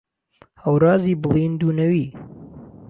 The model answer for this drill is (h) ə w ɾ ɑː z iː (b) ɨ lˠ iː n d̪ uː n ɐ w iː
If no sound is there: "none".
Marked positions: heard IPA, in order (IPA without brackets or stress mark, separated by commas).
h, b